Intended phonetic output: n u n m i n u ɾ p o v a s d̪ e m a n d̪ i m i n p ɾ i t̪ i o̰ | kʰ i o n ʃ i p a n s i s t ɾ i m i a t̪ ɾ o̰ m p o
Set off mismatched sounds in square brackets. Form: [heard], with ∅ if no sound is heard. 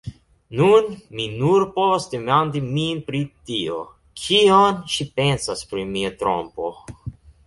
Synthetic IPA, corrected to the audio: n u n m i n u ɾ p o v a s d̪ e m a n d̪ i m i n p ɾ i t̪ i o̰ | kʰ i o n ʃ i p [e] n s [a] s [p] ɾ i m i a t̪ ɾ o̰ m p o